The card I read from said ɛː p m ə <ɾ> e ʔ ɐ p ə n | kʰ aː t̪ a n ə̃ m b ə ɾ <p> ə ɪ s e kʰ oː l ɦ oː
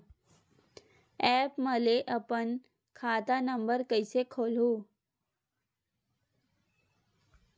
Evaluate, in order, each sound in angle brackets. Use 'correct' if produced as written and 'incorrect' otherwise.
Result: incorrect: l, incorrect: k

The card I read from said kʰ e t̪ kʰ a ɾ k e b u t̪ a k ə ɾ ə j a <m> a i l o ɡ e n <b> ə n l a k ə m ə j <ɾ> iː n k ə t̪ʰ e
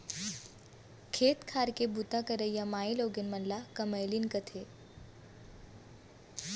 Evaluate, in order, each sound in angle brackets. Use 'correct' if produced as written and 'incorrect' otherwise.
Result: correct, incorrect: m, incorrect: l

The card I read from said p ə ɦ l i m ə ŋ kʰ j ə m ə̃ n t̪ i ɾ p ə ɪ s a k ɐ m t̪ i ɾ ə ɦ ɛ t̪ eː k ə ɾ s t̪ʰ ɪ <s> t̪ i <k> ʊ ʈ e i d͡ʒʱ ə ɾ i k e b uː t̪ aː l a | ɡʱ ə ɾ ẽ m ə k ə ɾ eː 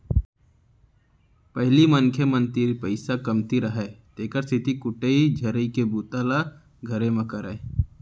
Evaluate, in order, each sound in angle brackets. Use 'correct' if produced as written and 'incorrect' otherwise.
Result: incorrect: none, correct

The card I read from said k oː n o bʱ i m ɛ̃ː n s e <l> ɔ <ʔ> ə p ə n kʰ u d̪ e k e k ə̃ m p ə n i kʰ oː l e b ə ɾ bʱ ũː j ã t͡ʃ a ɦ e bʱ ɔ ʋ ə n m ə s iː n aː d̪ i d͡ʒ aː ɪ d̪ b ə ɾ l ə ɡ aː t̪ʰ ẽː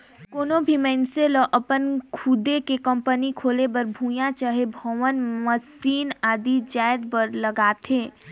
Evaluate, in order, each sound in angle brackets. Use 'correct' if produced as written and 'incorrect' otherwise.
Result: correct, correct

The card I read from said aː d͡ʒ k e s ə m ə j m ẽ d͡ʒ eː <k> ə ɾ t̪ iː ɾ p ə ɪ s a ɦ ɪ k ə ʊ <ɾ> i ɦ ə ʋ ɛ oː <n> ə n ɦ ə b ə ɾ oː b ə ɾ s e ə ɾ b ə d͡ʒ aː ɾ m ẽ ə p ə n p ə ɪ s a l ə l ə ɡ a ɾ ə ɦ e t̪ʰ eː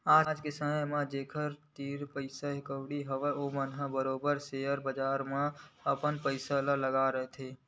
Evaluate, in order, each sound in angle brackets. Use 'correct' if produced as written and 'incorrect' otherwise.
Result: incorrect: kʰ, incorrect: ɽ, incorrect: m

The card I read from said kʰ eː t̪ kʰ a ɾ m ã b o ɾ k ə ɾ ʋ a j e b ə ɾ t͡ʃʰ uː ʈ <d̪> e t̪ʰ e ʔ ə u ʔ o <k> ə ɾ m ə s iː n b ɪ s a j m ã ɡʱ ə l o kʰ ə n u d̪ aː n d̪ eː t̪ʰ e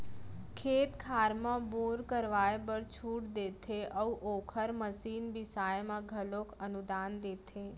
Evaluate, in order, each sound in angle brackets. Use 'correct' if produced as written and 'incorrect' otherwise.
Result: correct, incorrect: kʰ

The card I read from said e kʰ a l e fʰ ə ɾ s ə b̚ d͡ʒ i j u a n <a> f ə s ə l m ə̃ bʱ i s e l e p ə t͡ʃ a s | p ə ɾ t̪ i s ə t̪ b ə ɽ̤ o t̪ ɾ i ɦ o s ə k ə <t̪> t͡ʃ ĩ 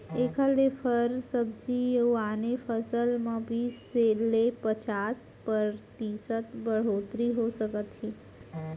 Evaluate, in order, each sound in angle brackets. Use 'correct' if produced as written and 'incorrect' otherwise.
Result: incorrect: e, correct

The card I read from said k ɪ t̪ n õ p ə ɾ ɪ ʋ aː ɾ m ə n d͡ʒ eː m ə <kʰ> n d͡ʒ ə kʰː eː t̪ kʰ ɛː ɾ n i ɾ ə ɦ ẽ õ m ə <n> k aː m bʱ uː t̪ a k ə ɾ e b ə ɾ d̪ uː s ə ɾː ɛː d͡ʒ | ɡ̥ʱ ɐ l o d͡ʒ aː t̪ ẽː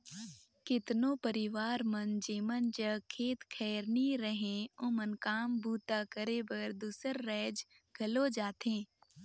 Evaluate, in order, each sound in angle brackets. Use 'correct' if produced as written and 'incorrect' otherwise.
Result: incorrect: none, correct

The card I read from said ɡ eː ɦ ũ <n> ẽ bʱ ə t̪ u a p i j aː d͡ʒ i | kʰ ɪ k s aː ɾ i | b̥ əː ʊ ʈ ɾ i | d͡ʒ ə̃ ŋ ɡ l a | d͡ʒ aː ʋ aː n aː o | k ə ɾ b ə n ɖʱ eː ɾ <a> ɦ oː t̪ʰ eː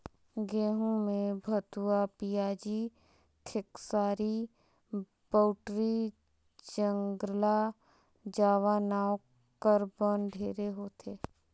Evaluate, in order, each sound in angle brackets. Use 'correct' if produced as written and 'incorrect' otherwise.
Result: incorrect: m, incorrect: e

